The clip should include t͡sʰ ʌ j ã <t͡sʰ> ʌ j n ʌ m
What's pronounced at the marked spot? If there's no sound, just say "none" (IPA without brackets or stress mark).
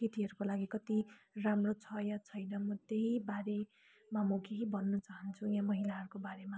t͡sʰ